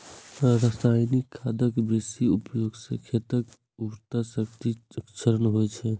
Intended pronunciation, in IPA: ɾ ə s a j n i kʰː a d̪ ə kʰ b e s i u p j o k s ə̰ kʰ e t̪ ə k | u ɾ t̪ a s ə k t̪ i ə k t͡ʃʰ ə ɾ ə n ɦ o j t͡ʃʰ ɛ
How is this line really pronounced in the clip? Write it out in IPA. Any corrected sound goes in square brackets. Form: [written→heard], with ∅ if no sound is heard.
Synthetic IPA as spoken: ɾ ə s a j n i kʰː a d̪ ə [kʰ→k] b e s i u p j o [k→ɡ] s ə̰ kʰ e t̪ ə k | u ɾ t̪ a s ə k t̪ i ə k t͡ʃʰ ə ɾ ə n ɦ o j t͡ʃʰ ɛ